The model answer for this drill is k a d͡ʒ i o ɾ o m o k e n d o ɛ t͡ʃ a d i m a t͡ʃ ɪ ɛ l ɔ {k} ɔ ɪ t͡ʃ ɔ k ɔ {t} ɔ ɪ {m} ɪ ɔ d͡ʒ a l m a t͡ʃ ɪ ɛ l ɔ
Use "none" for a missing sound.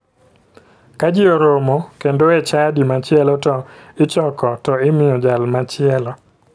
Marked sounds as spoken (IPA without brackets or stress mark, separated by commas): t, t, m